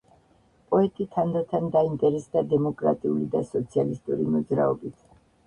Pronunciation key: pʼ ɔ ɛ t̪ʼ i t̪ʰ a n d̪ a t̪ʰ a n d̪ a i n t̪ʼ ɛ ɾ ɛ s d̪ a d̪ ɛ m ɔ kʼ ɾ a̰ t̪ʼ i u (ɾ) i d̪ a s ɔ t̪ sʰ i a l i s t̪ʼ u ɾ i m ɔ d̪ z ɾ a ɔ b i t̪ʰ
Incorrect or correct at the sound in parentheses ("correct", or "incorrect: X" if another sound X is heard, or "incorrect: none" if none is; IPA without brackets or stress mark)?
incorrect: l